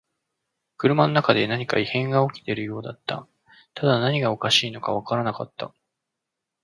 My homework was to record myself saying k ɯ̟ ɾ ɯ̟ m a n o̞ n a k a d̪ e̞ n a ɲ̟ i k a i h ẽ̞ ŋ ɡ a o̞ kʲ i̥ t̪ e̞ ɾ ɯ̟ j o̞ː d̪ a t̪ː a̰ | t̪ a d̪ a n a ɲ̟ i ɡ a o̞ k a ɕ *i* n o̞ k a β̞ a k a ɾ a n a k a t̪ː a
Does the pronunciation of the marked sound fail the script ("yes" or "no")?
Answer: yes